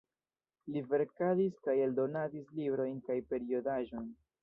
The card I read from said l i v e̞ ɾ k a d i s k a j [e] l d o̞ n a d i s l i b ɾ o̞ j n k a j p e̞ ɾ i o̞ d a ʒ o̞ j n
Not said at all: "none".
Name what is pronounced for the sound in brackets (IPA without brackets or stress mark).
e